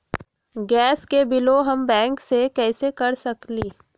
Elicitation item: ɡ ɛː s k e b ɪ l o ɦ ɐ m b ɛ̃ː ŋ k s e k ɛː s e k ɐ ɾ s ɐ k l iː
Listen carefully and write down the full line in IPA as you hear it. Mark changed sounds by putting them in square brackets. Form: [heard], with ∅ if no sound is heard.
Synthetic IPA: ɡ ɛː s k e b ɪ l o ɦ ɐ m b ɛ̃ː ŋ k s e k ɛː s e k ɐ ɾ s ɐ k l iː